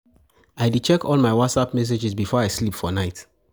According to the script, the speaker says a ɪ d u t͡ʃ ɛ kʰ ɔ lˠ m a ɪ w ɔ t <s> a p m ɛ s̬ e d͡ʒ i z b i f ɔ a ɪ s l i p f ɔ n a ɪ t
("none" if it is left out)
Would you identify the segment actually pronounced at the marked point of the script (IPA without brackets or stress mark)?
s